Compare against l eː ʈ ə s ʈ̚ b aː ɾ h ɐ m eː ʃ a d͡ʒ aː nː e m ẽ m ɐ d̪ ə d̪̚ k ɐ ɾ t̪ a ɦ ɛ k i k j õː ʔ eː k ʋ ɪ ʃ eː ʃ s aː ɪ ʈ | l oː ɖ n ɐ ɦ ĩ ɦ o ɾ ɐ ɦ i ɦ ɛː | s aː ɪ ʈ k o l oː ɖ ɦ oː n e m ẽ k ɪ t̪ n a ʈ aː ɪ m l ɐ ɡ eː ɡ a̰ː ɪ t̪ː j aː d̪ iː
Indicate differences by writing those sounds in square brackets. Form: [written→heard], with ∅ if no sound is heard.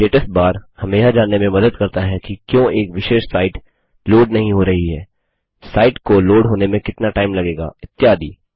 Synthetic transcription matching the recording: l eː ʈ ə s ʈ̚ b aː ɾ h ɐ m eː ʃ a d͡ʒ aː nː e m ẽ m ɐ d̪ ə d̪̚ k ɐ ɾ t̪ a ɦ ɛ k i k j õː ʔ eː k ʋ ɪ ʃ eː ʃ s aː ɪ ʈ | l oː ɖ n ɐ ɦ ĩ ɦ o ɾ ɐ ɦ i ɦ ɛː | s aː ɪ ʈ k o l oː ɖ ɦ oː n e m ẽ k ɪ t̪ n a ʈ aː ɪ m l ɐ ɡ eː ɡ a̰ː ɪ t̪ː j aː d̪ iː